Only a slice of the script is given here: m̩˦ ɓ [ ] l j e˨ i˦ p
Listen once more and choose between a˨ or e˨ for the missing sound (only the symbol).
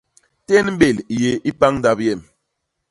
e˨